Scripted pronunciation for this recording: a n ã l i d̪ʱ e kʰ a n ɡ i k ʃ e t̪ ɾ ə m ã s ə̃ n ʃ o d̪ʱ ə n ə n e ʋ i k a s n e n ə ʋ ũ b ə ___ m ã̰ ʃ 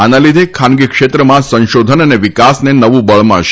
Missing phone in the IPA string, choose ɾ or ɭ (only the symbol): ɭ